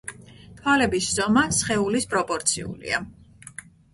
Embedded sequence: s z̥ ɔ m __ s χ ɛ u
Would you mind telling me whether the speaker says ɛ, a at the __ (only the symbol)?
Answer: a